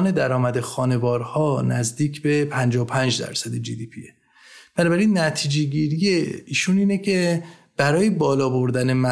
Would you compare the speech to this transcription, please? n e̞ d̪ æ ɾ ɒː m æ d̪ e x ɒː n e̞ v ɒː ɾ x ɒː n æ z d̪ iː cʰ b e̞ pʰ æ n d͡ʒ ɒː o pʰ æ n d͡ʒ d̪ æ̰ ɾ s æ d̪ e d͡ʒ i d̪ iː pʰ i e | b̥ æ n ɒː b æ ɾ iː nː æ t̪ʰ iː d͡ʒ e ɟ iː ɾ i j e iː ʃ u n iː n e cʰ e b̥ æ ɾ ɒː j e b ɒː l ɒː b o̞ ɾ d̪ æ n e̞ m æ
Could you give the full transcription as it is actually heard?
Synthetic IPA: n e̞ d̪ æ ɾ ɒː m æ d̪ e x ɒː n e̞ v ɒː ɾ h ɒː n æ z d̪ iː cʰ b e̞ pʰ æ n d͡ʒ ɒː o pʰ æ n d͡ʒ d̪ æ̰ ɾ s æ d̪ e d͡ʒ i d̪ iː pʰ i e | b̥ æ n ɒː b æ ɾ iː nː æ t̪ʰ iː d͡ʒ e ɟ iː ɾ i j e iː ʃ u n iː n e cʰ e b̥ æ ɾ ɒː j e b ɒː l ɒː b o̞ ɾ d̪ æ n e̞ m æ